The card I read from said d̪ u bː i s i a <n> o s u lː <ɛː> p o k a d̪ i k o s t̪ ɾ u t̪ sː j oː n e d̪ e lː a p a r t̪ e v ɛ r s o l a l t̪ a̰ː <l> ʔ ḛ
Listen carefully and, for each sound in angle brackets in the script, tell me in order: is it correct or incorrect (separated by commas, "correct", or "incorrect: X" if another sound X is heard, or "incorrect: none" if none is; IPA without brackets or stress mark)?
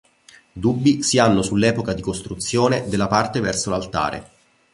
incorrect: nː, correct, incorrect: ɾ